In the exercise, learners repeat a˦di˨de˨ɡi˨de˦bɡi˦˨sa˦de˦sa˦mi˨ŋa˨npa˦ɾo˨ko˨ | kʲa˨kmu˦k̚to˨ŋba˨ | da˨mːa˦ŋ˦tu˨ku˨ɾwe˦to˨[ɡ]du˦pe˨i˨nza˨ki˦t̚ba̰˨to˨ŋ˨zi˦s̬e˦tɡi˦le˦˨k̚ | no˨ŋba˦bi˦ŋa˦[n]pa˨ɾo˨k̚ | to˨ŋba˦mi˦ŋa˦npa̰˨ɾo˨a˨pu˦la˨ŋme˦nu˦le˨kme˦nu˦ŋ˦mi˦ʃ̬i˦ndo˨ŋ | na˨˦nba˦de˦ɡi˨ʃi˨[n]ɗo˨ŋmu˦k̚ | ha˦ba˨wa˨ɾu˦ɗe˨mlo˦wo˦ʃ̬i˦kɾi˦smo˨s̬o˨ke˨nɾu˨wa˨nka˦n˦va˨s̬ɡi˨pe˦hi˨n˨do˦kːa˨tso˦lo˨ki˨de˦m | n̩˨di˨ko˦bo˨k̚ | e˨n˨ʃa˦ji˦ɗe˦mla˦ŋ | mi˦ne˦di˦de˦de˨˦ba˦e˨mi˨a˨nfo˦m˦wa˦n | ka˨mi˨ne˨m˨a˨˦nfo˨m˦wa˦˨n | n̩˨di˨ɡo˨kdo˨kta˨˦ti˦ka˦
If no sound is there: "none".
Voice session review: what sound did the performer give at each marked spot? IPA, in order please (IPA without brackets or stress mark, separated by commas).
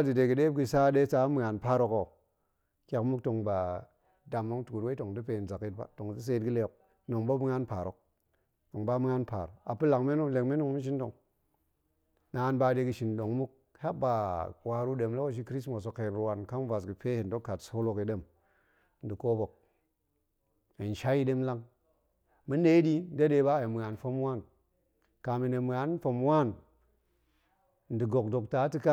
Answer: ŋ, n, n